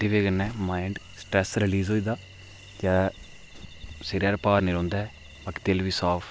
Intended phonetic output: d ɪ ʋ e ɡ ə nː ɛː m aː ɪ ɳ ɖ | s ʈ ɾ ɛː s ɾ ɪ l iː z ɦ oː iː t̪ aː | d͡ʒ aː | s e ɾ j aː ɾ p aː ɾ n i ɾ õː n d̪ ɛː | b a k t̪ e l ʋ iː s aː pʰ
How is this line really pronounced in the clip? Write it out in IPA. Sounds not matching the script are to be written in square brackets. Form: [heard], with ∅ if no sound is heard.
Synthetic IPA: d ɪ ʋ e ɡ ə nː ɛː m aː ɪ ɳ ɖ | s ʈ ɾ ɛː s ɾ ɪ l iː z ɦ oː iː [d̪] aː | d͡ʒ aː | s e ɾ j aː ɾ p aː ɾ n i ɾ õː n d̪ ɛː | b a k t̪ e l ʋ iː s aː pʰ